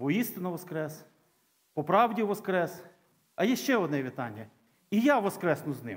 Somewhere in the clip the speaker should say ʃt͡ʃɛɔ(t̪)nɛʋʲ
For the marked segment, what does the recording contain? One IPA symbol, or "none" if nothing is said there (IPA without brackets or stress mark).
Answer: d̪